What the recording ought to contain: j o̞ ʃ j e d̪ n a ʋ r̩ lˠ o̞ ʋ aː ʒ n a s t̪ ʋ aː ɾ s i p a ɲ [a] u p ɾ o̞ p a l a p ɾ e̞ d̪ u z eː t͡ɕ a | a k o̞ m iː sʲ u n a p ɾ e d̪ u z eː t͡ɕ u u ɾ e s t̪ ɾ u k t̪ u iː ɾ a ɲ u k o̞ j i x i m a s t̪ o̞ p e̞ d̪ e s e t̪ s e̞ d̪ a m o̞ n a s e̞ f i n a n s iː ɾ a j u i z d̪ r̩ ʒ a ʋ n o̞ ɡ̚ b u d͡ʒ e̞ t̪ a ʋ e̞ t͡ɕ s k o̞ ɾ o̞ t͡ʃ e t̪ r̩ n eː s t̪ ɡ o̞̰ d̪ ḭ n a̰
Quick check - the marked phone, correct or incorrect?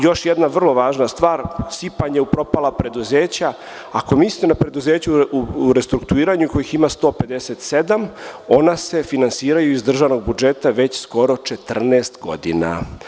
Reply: incorrect